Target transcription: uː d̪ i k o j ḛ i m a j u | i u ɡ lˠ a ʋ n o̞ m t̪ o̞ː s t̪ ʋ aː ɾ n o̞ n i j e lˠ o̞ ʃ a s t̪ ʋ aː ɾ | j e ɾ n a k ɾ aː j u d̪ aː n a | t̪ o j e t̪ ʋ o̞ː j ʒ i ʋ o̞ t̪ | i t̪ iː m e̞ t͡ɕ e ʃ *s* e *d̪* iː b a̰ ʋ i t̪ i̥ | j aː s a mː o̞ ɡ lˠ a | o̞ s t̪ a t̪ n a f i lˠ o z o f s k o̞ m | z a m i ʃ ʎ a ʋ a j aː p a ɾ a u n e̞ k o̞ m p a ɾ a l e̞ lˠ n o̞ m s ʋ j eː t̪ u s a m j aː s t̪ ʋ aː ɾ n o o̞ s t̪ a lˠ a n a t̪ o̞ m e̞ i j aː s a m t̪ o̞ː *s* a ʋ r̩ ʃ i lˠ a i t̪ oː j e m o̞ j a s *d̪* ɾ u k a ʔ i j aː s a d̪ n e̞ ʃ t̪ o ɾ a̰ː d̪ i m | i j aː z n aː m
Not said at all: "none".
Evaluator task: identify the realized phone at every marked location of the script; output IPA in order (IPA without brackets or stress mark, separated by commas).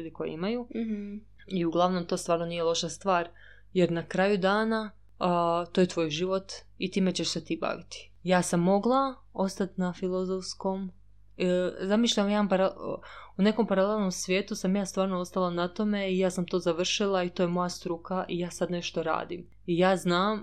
s, t̪, z, t̪